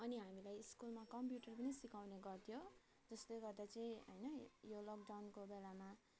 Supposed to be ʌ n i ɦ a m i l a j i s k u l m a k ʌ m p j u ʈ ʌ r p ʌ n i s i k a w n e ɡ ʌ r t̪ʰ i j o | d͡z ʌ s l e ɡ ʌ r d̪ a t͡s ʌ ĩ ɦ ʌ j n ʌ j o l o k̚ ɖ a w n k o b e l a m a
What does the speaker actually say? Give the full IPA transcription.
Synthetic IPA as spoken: ʌ n i ɦ a m i l a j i s k u l m a k ʌ m p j u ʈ ʌ r p ʌ n i s i k a w n e ɡ ʌ r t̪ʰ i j o | d͡z ʌ s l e ɡ ʌ r d̪ a t͡s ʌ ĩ ɦ ʌ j n ʌ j o l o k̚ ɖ a w n k o b e l a m a